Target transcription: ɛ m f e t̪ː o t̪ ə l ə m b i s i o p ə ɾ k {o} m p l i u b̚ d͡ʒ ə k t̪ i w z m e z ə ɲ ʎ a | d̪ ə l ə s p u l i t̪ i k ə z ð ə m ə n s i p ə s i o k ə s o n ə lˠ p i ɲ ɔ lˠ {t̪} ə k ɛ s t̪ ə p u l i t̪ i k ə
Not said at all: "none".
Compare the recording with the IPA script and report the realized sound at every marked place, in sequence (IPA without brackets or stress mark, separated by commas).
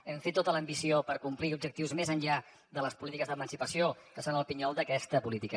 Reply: u, d̪